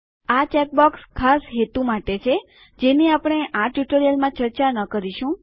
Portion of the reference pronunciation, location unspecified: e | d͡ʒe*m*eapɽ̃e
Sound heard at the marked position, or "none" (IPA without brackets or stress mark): n